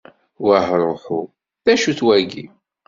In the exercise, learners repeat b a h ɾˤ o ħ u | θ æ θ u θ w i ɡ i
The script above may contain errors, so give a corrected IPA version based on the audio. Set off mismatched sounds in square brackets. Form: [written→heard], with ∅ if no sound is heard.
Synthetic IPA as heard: [b→w] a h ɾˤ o ħ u | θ æ [θ→ʃ] u θ w [i→æ] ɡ i

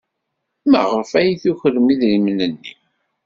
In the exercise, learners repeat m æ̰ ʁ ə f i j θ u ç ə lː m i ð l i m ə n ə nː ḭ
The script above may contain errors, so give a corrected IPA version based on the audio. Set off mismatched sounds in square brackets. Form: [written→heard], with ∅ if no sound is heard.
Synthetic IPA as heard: m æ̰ ʁ ə f [i→æ] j θ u ç ə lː m i ð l i m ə n ə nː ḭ

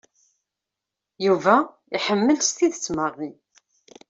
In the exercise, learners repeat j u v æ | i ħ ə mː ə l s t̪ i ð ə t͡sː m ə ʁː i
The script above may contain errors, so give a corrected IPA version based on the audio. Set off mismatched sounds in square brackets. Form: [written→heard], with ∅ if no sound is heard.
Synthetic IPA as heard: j u v æ | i ħ ə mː ə l s t̪ i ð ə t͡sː m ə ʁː i

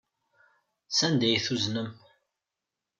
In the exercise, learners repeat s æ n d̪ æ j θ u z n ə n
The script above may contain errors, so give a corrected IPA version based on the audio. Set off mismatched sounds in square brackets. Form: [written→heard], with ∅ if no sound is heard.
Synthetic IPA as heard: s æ n d̪ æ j θ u z n ə [n→m]

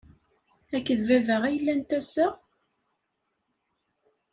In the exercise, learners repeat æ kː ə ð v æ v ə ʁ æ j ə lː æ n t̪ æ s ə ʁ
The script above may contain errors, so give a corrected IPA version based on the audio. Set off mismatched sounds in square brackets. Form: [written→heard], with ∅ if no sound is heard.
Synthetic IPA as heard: æ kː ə ð v æ v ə ʁ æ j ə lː æ n t̪ æ s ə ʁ

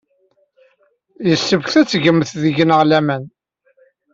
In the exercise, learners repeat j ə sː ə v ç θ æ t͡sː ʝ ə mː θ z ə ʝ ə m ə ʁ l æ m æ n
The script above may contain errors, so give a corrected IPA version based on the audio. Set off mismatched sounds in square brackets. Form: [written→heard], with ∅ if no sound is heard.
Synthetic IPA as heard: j ə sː ə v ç θ æ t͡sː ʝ ə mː θ [z→ð] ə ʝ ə [m→n] ə ʁ l æ m æ n

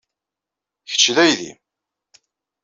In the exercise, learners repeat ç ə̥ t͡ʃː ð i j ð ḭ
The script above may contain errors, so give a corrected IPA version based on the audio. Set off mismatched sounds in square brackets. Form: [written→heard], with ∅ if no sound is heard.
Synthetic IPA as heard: ç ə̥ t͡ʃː ð [i→æ] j ð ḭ

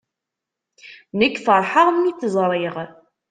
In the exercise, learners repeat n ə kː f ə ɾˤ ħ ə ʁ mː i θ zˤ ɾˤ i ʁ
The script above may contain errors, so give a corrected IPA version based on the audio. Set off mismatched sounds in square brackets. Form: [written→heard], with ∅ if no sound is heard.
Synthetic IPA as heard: n ə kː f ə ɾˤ ħ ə ʁ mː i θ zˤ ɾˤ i ʁ

